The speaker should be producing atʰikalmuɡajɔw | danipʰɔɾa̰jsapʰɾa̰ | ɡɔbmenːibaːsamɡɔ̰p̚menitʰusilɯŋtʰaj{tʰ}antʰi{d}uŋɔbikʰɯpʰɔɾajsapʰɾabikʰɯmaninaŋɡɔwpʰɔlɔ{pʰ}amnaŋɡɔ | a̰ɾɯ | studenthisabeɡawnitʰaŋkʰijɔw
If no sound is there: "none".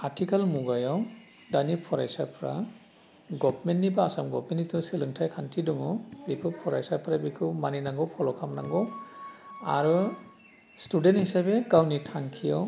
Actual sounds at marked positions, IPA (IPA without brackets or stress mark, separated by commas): kʰ, d, kʰ